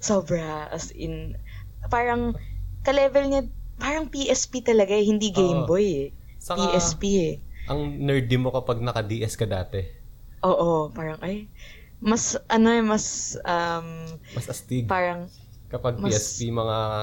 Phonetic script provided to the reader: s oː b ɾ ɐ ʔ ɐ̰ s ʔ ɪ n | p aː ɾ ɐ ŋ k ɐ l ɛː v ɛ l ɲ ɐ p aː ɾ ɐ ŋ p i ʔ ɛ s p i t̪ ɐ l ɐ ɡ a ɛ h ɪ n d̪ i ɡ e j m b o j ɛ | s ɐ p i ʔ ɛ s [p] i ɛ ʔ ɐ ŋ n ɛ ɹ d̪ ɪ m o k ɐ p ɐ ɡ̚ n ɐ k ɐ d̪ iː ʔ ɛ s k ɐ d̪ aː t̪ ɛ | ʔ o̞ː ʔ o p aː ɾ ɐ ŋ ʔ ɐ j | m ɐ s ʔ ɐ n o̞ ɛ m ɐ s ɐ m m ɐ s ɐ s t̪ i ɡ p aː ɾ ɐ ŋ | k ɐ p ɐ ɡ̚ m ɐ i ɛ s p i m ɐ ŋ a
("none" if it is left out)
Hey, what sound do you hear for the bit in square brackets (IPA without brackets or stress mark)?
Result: p